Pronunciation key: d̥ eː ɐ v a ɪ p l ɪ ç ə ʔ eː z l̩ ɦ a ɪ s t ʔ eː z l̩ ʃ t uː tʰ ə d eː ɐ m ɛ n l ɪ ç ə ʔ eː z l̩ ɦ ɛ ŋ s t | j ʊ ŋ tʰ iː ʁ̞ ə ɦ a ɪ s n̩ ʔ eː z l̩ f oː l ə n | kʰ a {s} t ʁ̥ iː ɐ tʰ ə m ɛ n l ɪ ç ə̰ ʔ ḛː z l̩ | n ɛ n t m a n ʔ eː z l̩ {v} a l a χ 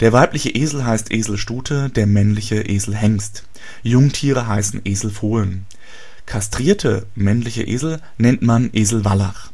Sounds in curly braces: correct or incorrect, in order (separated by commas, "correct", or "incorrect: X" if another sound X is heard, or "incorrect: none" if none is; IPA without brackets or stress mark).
correct, correct